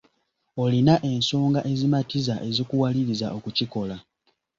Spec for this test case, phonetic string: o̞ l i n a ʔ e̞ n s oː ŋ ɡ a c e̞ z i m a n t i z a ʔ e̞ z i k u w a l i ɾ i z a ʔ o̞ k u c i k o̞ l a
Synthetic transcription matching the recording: o̞ l i n a ʔ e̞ n s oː ŋ ɡ a ʔ e̞ z i m a t i z a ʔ e̞ z i k u w a l i ɾ i z a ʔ o̞ k u c i k o̞ l a

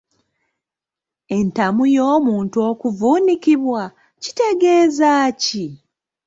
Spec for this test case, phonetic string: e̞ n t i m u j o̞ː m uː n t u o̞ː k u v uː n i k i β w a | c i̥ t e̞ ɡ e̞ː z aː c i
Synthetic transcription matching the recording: e̞ n t a m u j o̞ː m uː n t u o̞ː k u v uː n i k i β w a | c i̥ t e̞ ɡ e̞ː z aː c i

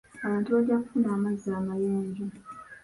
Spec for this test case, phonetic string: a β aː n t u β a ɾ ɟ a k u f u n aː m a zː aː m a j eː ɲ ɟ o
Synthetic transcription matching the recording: a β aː n t u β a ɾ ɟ a k u f u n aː m a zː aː m a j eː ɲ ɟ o

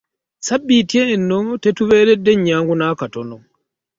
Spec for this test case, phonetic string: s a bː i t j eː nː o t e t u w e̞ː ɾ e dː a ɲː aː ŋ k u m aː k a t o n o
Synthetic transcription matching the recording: s a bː i t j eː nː o t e t u β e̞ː ɾ e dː e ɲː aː ŋ ɡ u n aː k a t o n o

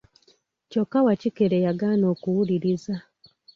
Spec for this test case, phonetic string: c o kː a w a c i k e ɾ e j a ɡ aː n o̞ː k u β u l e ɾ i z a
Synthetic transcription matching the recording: c o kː a w a c i k e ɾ e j a ɡ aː n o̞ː k u w u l i ɾ i z a

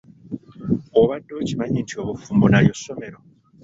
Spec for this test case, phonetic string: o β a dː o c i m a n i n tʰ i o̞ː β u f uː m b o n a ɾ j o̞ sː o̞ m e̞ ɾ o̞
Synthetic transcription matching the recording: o β a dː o c i m a ɲ i n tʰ i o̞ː β u f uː m b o n a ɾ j o̞ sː o̞ m e̞ ɾ o̞

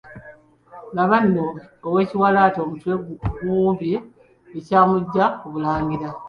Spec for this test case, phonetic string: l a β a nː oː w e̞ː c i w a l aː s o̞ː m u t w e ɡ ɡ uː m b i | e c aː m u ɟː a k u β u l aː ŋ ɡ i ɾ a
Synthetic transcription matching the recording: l a β a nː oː w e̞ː c i w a l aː t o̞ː m u t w e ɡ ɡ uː m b i | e c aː m u ɟː a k u β u l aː ŋ ɡ i ɾ a

